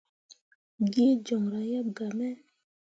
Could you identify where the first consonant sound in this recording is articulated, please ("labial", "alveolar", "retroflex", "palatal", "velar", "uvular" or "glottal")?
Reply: velar